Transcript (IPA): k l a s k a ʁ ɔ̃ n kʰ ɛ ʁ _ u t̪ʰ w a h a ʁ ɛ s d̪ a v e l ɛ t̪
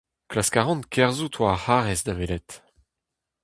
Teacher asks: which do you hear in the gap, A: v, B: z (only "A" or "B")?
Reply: B